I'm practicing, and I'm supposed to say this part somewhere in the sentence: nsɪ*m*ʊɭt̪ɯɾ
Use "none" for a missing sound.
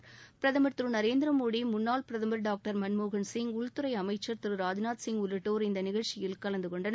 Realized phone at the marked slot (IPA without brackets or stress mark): ŋ